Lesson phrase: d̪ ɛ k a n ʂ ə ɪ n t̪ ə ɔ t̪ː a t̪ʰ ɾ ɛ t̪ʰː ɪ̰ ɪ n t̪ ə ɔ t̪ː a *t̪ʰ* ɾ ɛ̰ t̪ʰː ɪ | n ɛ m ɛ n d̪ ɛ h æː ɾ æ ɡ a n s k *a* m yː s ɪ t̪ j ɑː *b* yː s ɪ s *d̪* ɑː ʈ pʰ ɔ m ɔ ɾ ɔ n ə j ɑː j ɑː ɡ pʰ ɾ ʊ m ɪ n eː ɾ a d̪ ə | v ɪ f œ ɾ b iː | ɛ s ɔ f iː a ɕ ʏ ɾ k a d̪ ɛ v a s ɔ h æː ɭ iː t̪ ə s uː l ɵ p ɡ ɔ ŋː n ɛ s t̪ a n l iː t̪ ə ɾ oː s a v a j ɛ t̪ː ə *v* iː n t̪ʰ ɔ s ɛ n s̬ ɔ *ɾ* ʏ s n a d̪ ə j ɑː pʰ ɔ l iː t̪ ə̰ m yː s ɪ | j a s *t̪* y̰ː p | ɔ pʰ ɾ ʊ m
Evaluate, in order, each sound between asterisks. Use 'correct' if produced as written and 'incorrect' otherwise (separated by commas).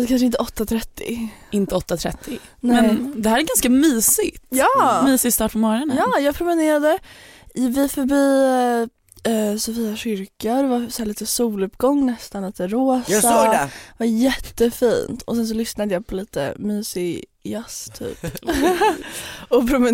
correct, correct, incorrect, incorrect, incorrect, incorrect, incorrect